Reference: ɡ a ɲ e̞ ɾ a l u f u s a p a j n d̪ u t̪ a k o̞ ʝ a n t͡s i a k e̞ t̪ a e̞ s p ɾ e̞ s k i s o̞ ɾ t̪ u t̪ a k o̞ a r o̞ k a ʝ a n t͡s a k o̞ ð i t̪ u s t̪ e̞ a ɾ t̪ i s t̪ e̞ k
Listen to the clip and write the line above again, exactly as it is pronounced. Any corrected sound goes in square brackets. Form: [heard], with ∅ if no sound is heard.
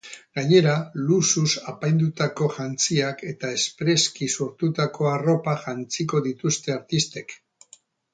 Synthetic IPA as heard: ɡ a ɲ e̞ ɾ a l u [s] u s a p a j n d̪ u t̪ a k o̞ ʝ a n t͡s i a k e̞ t̪ a e̞ s p ɾ e̞ s k i s o̞ ɾ t̪ u t̪ a k o̞ a r o̞ [p] a ʝ a n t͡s [i] k o̞ ð i t̪ u s t̪ e̞ a ɾ t̪ i s t̪ e̞ k